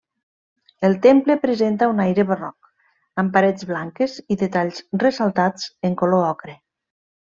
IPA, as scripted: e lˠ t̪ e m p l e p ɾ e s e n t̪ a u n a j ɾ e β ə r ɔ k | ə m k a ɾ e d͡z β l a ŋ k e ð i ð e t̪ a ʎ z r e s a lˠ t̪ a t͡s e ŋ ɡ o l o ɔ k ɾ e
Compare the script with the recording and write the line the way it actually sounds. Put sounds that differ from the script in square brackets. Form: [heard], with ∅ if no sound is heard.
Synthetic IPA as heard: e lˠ t̪ e m p l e p ɾ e [z] e n t̪ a u n a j ɾ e β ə r ɔ k | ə m [p] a ɾ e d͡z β l a ŋ k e [z] i ð e t̪ a ʎ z r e s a lˠ t̪ a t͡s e ŋ [k] o l o ɔ k ɾ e